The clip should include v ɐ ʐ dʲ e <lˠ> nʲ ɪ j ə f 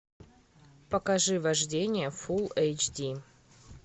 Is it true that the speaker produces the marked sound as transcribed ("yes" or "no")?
no